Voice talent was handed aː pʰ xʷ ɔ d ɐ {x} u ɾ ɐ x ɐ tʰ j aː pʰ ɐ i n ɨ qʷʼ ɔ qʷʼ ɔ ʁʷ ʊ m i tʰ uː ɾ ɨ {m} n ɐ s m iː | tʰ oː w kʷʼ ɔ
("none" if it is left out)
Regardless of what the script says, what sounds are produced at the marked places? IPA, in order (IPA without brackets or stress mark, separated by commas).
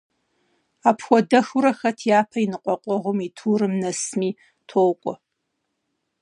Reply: x, m